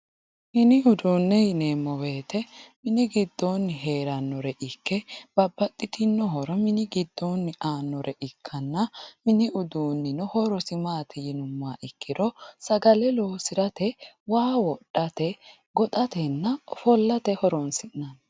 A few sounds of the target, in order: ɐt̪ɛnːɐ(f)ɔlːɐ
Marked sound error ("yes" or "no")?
no